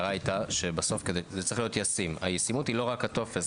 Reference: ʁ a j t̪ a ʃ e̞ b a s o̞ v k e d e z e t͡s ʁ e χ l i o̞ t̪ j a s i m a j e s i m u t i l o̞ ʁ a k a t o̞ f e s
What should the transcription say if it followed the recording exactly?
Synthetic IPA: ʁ a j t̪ a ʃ e̞ b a s o̞ f k e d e z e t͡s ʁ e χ l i o̞ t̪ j a s i m a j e s i m u t i l o̞ ʁ a k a t o̞ f e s